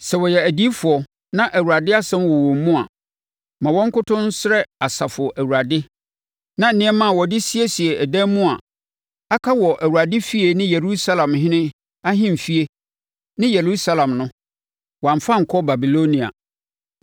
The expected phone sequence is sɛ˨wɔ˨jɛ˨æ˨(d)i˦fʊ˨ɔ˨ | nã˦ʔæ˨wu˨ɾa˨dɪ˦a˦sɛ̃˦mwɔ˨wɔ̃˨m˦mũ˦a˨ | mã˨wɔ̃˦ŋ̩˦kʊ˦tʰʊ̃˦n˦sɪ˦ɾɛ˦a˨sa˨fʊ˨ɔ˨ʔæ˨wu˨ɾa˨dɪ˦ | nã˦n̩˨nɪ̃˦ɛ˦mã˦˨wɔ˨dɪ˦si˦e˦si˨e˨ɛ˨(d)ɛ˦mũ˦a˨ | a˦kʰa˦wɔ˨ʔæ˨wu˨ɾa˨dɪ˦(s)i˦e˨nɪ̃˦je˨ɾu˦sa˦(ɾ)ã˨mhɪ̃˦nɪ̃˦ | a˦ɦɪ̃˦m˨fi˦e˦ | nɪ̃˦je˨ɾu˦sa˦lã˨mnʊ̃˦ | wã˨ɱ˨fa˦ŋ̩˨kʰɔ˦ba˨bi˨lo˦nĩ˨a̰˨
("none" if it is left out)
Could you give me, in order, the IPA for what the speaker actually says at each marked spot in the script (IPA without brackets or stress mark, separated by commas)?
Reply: d, d, f, l